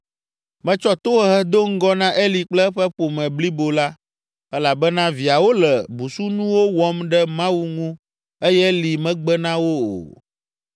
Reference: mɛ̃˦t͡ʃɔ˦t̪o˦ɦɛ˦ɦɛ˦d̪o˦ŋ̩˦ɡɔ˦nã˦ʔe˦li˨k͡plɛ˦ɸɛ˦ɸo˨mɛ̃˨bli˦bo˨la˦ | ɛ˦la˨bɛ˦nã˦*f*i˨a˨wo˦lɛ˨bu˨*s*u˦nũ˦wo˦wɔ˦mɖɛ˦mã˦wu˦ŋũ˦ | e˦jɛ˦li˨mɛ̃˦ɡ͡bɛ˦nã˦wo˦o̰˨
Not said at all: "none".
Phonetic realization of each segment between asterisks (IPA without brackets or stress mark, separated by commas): v, s